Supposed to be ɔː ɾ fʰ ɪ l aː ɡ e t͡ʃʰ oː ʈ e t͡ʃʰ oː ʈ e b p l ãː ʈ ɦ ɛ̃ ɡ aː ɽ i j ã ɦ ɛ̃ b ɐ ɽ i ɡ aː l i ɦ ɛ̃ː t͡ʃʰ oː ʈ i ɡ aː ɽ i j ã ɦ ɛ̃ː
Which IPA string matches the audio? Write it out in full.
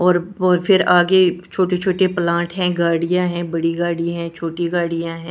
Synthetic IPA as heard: ɔː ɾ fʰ ɪ ɾ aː ɡ e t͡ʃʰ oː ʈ e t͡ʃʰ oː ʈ e p l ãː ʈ ɦ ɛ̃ ɡ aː ɽ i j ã ɦ ɛ̃ b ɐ ɽ i ɡ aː ɽ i ɦ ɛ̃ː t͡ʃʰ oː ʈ i ɡ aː ɽ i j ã ɦ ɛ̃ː